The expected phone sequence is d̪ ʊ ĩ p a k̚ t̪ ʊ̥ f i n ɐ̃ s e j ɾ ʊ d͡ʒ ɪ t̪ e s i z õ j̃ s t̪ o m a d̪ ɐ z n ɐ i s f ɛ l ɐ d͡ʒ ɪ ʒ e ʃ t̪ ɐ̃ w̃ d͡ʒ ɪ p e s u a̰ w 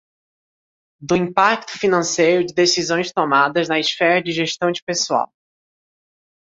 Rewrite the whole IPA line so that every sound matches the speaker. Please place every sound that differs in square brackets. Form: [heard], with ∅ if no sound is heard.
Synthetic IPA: d̪ ʊ ĩ p a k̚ t̪ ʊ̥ f i n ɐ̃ s e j ɾ ʊ d͡ʒ ɪ [d̪] e s i z õ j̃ s t̪ o m a d̪ ɐ z n ɐ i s f ɛ [ɾ] ɐ d͡ʒ ɪ ʒ e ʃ t̪ ɐ̃ w̃ d͡ʒ ɪ p e s u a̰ w